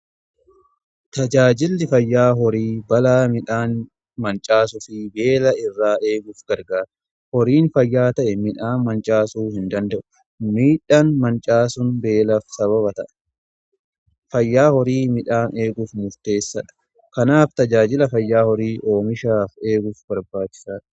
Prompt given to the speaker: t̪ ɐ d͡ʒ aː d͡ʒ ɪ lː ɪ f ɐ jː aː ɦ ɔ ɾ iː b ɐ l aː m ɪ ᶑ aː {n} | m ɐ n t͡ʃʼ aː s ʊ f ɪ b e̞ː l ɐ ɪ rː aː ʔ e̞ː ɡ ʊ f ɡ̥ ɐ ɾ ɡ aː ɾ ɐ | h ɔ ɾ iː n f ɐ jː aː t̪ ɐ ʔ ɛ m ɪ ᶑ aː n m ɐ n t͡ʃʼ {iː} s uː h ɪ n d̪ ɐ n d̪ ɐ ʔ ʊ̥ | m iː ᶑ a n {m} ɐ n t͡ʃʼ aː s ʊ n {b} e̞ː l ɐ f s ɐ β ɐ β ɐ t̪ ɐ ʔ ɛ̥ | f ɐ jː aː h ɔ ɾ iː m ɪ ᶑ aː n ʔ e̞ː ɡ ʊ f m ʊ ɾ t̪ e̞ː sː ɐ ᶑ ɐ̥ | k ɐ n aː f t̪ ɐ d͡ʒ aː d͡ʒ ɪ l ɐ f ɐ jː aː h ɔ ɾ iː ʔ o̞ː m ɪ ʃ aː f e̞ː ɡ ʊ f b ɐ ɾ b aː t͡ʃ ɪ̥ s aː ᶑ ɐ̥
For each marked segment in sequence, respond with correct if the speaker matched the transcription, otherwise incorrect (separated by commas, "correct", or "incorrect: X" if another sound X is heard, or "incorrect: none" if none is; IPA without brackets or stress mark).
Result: correct, incorrect: aː, correct, correct